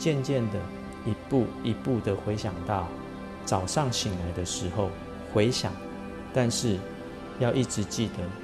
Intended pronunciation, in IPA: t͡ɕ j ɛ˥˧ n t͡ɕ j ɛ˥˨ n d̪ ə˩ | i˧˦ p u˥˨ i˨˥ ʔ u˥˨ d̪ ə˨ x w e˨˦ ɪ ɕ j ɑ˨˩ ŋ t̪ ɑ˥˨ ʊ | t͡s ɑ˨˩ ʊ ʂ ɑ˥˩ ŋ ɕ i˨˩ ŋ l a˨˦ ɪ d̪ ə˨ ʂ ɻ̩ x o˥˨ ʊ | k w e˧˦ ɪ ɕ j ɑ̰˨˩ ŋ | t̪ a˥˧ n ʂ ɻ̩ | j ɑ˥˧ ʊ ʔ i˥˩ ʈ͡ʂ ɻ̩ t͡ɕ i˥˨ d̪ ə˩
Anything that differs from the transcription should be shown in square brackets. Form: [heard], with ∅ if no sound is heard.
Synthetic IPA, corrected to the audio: t͡ɕ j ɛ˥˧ n t͡ɕ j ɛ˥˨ n d̪ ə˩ | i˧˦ p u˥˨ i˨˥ [p] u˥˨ d̪ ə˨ x w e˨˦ ɪ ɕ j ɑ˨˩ ŋ t̪ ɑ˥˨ ʊ | t͡s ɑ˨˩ ʊ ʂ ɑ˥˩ ŋ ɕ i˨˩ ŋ l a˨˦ ɪ d̪ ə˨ ʂ ɻ̩ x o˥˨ ʊ | [x] w e˧˦ ɪ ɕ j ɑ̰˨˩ ŋ | t̪ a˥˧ n ʂ ɻ̩ | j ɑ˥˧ ʊ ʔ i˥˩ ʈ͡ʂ ɻ̩ t͡ɕ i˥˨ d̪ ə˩